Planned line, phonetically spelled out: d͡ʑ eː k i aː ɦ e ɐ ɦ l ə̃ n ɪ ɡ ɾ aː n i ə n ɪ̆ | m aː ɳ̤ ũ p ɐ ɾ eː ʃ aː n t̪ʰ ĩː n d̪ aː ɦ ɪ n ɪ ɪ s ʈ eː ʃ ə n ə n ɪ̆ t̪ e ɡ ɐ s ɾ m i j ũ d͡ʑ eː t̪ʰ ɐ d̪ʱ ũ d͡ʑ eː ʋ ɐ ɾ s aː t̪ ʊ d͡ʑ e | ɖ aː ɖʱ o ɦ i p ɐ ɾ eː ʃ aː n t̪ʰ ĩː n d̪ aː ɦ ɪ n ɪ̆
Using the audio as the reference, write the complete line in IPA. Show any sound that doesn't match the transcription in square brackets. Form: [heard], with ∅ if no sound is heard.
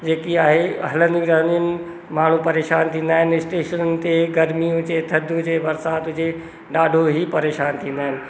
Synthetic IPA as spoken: d͡ʑ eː k i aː ɦ e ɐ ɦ l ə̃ n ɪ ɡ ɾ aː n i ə n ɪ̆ | m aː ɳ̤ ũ p ɐ ɾ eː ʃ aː n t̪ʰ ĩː n d̪ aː ɦ ɪ n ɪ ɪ s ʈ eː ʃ ə n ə n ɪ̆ t̪ e ɡ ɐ [∅] ɾ m i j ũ d͡ʑ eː t̪ʰ ɐ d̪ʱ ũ d͡ʑ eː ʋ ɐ ɾ s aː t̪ ʊ d͡ʑ e | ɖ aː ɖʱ o ɦ i p ɐ ɾ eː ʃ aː n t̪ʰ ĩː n d̪ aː ɦ ɪ n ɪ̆